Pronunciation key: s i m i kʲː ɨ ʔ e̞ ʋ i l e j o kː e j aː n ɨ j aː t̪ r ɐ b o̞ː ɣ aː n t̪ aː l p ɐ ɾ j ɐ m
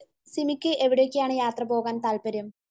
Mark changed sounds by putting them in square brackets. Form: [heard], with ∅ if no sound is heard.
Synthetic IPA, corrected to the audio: s i m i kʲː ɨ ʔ e̞ ʋ i [ɽ] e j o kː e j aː [ɳ] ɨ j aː t̪ r ɐ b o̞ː ɣ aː n t̪ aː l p ɐ ɾ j ɐ m